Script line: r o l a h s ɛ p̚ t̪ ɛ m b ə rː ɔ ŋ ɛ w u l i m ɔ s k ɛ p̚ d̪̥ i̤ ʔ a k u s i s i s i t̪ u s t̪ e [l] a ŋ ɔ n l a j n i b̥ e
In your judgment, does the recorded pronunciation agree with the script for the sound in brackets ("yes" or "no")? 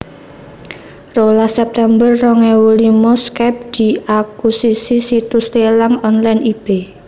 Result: yes